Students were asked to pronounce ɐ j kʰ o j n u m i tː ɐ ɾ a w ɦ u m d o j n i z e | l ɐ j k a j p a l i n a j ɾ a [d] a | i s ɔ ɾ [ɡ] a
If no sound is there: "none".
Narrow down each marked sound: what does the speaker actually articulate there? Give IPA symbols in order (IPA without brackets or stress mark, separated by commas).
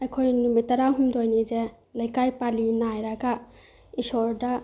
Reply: ɡ, d